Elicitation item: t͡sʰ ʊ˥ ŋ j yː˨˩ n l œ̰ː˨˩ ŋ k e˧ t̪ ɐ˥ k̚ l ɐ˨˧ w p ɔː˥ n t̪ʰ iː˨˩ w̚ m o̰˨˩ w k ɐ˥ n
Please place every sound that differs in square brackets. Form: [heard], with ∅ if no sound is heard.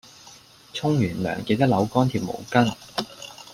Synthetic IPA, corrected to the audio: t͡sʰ ʊ˥ ŋ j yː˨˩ n l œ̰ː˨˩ ŋ k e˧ t̪ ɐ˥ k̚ l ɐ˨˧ w [k] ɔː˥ n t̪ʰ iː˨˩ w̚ m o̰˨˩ w k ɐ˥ n